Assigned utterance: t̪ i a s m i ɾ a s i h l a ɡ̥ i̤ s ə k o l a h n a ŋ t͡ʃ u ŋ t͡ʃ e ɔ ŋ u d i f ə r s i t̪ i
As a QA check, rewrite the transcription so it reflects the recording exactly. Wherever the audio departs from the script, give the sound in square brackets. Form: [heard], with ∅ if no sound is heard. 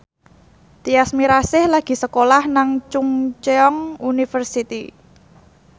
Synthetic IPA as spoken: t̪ i a s m i ɾ a s [ɪ] h l a ɡ̥ i̤ s ə k o l a h n a ŋ t͡ʃ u ŋ t͡ʃ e ɔ ŋ u [n] i f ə r s i t̪ i